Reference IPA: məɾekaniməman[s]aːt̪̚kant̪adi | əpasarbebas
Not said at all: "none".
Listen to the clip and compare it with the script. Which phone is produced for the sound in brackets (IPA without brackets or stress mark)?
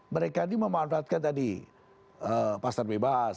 f